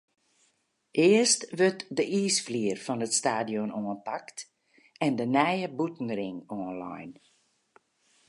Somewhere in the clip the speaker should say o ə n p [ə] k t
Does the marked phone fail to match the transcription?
yes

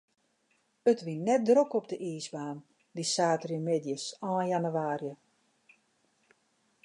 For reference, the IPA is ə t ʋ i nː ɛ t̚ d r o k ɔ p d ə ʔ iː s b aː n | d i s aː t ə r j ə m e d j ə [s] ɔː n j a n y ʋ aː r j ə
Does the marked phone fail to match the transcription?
no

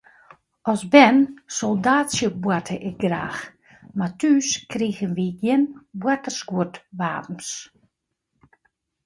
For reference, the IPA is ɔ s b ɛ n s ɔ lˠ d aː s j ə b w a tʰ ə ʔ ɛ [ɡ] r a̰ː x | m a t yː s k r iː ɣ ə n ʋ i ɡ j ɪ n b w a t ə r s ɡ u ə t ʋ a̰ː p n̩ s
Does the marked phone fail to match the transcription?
no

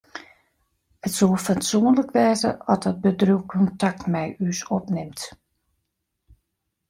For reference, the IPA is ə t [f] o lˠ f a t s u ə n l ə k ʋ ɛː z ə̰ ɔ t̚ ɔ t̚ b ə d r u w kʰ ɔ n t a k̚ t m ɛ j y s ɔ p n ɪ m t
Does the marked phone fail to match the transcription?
yes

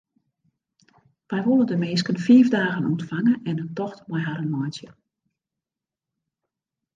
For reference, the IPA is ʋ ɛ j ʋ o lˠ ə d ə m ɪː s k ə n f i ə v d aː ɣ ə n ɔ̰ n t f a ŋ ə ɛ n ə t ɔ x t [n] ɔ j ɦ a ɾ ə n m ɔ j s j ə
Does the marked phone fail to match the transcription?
yes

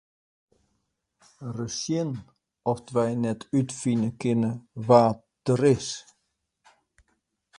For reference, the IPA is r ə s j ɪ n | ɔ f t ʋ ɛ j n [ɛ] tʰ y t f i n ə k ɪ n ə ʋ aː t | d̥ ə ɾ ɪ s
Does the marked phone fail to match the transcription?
no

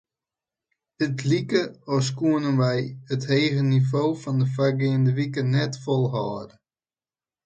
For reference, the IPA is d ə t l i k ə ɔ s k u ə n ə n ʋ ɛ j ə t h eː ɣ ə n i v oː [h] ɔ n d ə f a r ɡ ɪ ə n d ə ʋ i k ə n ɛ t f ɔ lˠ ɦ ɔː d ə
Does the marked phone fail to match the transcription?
yes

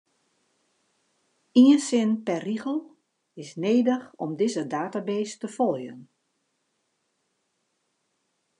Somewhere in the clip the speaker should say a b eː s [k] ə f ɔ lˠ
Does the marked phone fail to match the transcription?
yes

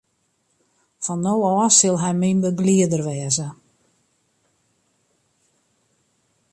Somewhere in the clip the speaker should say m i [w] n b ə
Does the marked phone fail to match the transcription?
yes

